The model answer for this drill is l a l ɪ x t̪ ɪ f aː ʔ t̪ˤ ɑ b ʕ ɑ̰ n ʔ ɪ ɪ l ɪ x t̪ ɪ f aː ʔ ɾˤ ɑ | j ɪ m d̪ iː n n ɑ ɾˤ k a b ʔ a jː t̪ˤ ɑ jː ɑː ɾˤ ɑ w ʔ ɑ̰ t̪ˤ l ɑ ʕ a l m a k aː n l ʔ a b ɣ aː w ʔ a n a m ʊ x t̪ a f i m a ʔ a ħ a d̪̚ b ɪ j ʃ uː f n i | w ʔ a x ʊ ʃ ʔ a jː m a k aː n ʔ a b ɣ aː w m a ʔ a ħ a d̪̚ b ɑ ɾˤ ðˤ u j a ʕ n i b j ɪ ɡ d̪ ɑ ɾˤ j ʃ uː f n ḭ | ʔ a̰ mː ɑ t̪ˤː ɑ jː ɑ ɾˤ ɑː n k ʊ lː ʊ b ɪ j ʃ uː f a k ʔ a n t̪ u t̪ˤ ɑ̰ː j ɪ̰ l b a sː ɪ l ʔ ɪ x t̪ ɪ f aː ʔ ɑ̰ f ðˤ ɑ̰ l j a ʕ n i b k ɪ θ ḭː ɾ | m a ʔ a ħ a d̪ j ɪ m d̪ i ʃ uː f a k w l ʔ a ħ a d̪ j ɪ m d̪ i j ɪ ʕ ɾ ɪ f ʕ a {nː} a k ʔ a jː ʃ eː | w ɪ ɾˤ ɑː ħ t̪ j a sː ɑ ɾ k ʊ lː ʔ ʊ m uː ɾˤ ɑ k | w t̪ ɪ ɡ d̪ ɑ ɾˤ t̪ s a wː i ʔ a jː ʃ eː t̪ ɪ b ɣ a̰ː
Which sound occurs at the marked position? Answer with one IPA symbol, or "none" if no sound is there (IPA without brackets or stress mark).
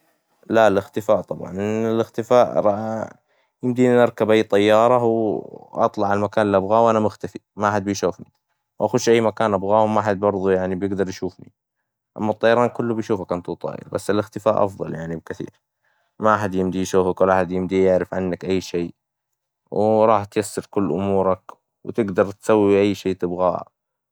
nː